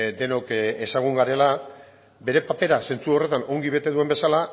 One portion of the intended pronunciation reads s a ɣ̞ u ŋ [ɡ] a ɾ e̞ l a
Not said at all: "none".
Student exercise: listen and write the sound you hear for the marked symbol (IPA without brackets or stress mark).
ɡ